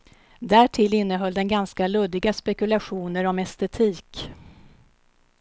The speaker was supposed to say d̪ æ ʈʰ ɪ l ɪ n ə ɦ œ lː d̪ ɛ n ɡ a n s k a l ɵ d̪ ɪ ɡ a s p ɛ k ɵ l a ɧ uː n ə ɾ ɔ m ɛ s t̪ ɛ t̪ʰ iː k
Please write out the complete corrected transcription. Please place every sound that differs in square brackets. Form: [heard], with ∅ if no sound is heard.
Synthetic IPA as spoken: d̪ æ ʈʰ ɪ l ɪ [nː] ə ɦ œ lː d̪ ɛ n ɡ a n s k a l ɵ d̪ ɪ ɡ a s p ɛ k ɵ l a ɧ uː n ə ɾ ɔ m ɛ s t̪ ɛ t̪ʰ iː k